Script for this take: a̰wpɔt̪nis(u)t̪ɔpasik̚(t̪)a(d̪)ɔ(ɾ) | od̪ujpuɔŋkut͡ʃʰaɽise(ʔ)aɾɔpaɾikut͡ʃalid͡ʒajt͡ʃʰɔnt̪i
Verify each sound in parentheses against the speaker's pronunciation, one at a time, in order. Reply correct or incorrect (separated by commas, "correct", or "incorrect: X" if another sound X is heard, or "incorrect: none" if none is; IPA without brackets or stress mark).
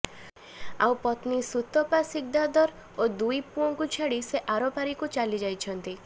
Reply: correct, incorrect: d̪, correct, correct, correct